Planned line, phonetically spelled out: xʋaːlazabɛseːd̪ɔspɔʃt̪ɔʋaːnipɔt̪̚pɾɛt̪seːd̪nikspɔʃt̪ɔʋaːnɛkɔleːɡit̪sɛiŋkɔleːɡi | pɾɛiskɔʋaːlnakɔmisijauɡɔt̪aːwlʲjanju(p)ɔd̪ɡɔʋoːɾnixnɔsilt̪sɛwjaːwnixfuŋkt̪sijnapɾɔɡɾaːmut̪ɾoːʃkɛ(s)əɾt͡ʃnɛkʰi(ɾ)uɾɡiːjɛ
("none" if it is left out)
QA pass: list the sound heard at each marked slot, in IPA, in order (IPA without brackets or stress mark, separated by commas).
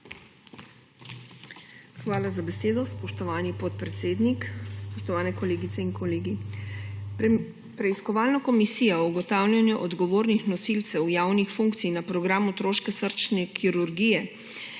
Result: ʔ, s, ɾ